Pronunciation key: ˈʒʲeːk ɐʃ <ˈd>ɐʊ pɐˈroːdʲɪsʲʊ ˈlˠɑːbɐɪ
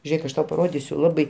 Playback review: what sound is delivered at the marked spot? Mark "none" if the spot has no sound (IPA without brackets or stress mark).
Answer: t